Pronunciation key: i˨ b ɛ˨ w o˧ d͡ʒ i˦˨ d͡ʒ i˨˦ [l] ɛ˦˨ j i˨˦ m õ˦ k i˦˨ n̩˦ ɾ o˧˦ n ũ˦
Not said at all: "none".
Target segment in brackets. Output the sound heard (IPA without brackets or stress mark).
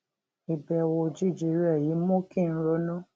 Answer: ɾ